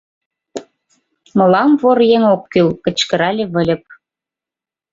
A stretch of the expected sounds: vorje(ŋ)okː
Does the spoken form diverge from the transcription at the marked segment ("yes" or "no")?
no